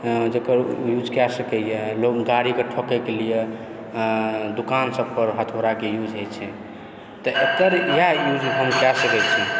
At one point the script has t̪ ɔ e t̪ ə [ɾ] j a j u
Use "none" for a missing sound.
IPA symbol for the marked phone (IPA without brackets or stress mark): ɾ